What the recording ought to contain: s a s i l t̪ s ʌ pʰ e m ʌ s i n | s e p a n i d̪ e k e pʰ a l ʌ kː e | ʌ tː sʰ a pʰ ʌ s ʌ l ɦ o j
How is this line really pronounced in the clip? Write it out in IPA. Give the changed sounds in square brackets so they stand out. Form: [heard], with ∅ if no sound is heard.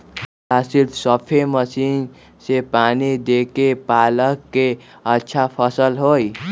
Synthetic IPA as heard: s a s i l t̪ s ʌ pʰ e m ʌ s i n | s e p a n i d̪ e k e [p] a l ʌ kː e | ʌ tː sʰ a pʰ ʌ s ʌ l ɦ o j